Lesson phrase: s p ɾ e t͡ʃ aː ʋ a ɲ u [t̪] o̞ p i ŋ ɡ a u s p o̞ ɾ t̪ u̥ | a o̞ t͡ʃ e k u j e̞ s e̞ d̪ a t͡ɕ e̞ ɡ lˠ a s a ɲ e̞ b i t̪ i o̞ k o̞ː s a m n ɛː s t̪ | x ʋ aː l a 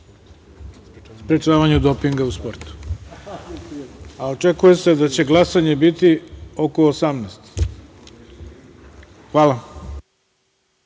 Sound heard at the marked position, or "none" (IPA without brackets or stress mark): d̪